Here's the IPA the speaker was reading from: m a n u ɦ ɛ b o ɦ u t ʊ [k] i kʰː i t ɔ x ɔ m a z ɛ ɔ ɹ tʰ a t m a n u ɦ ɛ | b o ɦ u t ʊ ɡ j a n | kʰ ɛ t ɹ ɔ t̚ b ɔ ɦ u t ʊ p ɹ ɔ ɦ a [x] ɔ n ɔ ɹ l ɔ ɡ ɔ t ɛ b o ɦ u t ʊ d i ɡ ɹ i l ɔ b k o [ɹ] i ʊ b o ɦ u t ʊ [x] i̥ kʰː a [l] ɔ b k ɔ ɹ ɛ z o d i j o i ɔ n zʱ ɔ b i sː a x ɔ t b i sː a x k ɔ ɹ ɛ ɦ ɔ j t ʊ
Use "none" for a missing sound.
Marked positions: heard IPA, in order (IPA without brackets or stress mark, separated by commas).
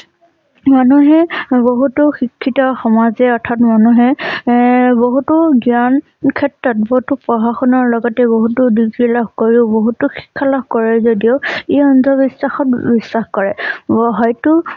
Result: x, x, ɹ, x, l